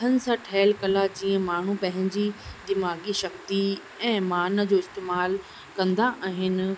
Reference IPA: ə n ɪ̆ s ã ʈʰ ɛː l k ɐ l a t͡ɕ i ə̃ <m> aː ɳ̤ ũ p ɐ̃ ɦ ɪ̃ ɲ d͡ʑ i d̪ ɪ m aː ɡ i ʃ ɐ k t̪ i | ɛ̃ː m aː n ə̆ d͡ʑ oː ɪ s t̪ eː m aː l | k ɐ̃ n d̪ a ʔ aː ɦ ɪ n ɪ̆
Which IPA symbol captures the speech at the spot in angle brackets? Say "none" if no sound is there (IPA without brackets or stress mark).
m